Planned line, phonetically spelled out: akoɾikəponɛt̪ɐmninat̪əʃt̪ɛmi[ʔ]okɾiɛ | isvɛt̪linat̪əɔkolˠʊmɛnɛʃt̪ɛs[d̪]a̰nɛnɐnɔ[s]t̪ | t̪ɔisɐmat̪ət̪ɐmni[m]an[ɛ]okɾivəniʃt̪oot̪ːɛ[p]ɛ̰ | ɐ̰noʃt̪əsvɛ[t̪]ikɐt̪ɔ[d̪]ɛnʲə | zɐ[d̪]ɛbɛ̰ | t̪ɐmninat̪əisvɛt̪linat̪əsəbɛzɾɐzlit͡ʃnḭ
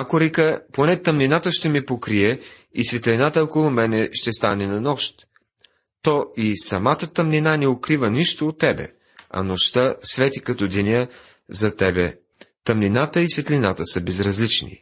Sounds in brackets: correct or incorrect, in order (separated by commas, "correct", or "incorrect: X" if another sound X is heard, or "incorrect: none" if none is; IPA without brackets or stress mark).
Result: incorrect: p, incorrect: t̪, incorrect: ʃ, incorrect: n, correct, incorrect: b, correct, correct, incorrect: t̪